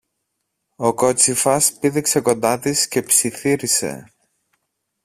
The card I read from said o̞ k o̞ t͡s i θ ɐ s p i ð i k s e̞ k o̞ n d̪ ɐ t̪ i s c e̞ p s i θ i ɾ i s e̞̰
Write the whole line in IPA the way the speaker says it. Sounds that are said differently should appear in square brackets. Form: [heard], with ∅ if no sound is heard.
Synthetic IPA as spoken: o̞ k o̞ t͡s i [f] ɐ s p i ð i k s e̞ k o̞ n d̪ ɐ t̪ i s c e̞ p s i θ i ɾ i s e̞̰